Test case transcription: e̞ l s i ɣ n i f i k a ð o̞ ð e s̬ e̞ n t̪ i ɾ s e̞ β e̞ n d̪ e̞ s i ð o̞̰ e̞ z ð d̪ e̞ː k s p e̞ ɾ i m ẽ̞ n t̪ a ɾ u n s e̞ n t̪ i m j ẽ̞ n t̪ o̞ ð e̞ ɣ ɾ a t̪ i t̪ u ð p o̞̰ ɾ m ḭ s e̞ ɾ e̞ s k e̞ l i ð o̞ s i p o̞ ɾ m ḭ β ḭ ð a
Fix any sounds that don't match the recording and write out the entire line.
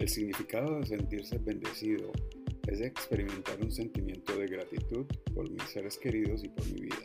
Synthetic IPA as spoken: e̞ l s i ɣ n i f i k a ð o̞ ð e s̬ e̞ n t̪ i ɾ s e̞ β e̞ n d̪ e̞ s i ð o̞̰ e̞ z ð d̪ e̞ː k s p e̞ ɾ i m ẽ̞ n t̪ a ɾ u n s e̞ n t̪ i m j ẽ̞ n t̪ o̞ ð e̞ ɣ ɾ a t̪ i t̪ u ð p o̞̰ ɾ m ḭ s e̞ ɾ e̞ s k e̞ ɾ i ð o̞ s i p o̞ ɾ m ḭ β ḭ ð a